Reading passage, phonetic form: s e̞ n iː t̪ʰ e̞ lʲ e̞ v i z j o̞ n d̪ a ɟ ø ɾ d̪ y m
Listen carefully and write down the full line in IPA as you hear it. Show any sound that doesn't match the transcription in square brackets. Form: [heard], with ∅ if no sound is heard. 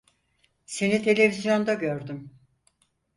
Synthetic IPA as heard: s e̞ n [i] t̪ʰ e̞ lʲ e̞ v i z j o̞ n d̪ a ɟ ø ɾ d̪ y m